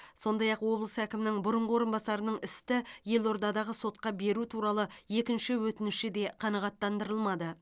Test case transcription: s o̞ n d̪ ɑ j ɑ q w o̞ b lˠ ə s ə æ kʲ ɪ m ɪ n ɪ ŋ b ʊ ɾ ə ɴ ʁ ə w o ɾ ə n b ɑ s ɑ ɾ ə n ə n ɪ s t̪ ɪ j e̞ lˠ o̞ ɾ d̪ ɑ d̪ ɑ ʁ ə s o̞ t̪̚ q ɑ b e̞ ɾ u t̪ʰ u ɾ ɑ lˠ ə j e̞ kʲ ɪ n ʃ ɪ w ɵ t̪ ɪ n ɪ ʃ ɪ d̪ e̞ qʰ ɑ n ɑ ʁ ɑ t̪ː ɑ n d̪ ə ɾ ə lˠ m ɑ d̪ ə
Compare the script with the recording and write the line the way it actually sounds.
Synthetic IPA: s o̞ n d̪ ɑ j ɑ q w o̞ b lˠ ə s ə æ kʲ ɪ m ɪ n ɪ ŋ b ʊ ɾ ə ɴ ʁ ə w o ɾ ə n b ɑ s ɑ ɾ ə n ə ɴ ɪ s t̪ ɪ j e̞ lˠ o̞ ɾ d̪ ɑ d̪ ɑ ʁ ə s o̞ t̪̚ q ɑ b e̞ ɾ u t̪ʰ u ɾ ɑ lˠ ə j e̞ kʲ ɪ n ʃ ɪ w ɵ t̪ ɪ n ɪ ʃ ɪ d̪ e̞ qʰ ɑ n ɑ ʁ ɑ t̪ː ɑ n d̪ ə ɾ ə lˠ m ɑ d̪ ə